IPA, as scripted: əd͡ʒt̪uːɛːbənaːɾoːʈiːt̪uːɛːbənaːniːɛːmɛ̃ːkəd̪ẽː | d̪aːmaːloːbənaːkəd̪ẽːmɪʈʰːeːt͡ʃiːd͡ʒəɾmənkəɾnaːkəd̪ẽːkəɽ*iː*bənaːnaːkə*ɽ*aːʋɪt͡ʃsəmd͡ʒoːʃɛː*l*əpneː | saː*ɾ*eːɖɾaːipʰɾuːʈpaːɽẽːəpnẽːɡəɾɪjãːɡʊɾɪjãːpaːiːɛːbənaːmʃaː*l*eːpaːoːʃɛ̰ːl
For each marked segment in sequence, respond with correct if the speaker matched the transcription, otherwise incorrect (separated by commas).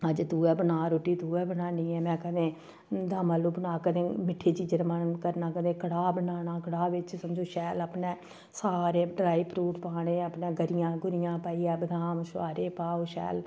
incorrect, correct, correct, correct, incorrect